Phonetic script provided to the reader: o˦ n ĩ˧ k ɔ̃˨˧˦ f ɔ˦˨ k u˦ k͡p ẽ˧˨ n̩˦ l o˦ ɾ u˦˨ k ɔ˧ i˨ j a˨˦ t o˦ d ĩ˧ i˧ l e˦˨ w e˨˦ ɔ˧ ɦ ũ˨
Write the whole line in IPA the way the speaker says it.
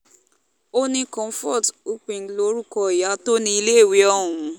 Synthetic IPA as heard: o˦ n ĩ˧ k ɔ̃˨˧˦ f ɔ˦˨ t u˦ k͡p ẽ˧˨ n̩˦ l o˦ ɾ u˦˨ k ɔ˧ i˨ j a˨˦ t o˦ n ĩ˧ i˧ l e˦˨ w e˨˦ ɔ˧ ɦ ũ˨